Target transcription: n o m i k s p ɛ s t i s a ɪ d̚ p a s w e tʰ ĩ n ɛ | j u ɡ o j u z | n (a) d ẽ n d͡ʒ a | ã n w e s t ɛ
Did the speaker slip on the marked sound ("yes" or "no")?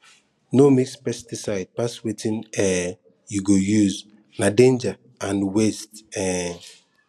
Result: no